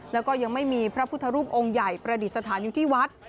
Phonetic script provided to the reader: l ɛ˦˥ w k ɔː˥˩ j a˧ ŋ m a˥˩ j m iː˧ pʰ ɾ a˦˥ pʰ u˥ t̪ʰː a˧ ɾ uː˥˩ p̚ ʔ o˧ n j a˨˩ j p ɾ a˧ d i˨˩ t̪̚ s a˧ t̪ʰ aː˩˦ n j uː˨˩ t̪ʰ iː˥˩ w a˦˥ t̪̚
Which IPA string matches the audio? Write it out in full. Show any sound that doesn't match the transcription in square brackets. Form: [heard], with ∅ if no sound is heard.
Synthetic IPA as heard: l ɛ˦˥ w k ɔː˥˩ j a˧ ŋ m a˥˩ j m iː˧ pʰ ɾ a˦˥ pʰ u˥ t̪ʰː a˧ ɾ uː˥˩ p̚ ʔ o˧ [ŋ] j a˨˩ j p ɾ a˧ d i˨˩ t̪̚ s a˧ t̪ʰ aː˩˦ n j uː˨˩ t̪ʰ iː˥˩ w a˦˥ t̪̚

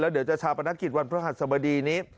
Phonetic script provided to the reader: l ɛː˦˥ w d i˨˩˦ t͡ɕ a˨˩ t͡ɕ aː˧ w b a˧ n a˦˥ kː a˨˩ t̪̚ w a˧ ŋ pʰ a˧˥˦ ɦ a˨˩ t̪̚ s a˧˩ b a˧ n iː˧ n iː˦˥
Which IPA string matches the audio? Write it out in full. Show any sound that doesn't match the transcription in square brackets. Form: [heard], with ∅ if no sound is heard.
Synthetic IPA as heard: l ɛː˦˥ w d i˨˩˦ t͡ɕ a˨˩ [t͡ɕʰ] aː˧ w [p] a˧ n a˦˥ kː [i˨˩] t̪̚ w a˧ [n] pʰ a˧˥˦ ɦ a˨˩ t̪̚ s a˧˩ b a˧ [d] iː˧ n iː˦˥

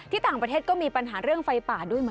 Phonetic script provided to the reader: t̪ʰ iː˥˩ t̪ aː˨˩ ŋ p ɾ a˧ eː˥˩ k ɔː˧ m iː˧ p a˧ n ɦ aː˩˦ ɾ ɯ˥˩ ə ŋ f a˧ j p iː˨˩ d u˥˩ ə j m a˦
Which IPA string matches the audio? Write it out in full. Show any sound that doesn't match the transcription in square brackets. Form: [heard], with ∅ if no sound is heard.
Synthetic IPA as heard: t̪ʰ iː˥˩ t̪ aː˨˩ ŋ p ɾ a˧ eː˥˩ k [ɔː˥˩] m iː˧ p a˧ n ɦ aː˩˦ ɾ ɯ˥˩ ə ŋ f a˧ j p [aː˨˩] d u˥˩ ə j m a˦

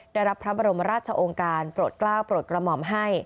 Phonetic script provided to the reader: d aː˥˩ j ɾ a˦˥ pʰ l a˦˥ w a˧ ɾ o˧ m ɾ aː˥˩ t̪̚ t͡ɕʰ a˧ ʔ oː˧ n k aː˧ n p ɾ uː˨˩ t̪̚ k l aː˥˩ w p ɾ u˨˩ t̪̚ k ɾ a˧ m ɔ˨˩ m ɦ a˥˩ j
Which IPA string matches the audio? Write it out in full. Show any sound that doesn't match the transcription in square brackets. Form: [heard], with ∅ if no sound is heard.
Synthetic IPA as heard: d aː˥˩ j ɾ a˦˥ pʰ [ɾ] a˦˥ [b] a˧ ɾ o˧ m ɾ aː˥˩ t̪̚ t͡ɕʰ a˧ ʔ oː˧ [ŋ] k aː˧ n p ɾ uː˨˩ t̪̚ k l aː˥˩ w p ɾ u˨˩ t̪̚ k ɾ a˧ m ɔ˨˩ m ɦ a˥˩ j

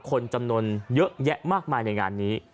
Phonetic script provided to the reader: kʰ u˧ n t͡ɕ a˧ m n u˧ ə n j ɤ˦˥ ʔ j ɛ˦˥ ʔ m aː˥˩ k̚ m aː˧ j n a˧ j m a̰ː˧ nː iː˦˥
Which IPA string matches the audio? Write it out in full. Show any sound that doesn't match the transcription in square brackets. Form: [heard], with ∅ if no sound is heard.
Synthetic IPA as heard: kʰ [o˧] n t͡ɕ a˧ m n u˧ ə n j ɤ˦˥ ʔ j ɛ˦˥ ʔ m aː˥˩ k̚ m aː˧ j n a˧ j [ŋ] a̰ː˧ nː iː˦˥

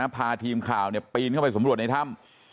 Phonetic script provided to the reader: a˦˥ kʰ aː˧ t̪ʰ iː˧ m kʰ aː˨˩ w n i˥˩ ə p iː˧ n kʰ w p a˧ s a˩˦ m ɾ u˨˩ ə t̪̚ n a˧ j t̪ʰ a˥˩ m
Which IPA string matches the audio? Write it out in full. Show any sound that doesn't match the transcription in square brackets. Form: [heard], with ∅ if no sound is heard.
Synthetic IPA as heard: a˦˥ [pʰ] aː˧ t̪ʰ iː˧ m kʰ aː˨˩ w n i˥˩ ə p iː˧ n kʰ w p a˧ s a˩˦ m ɾ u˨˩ ə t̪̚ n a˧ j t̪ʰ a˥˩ m

